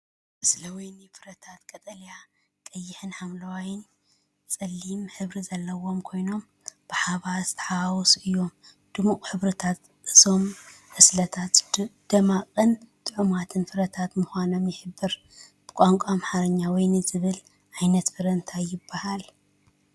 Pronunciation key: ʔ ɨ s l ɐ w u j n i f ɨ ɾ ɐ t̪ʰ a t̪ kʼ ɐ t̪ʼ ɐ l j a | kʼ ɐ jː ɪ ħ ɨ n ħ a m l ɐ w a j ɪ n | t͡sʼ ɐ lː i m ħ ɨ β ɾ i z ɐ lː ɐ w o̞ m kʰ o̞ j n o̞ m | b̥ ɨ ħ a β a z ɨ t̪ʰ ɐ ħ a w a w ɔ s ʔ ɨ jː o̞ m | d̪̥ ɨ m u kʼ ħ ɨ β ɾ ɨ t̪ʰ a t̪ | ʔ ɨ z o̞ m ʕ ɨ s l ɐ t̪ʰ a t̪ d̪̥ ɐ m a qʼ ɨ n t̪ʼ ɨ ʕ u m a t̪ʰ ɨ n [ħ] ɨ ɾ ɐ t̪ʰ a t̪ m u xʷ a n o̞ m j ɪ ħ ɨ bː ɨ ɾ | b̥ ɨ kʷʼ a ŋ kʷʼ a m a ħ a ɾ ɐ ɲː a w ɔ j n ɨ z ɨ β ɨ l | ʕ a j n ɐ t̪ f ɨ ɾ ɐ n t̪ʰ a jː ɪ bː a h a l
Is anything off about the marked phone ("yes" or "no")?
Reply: yes